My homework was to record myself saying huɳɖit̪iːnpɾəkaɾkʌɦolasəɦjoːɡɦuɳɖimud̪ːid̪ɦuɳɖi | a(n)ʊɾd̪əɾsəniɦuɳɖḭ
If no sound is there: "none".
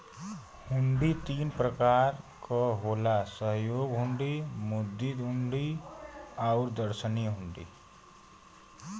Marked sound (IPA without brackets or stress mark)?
none